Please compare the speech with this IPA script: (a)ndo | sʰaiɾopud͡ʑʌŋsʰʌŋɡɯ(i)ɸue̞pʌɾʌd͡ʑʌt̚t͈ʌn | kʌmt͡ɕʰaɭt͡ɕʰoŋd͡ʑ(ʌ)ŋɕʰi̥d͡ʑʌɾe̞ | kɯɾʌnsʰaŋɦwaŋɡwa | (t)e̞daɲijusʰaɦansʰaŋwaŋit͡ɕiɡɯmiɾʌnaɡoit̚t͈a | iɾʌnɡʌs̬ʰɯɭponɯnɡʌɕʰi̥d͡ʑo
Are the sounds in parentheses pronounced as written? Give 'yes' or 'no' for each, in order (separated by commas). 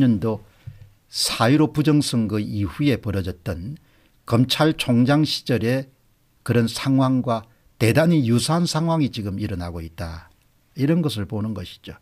no, yes, no, yes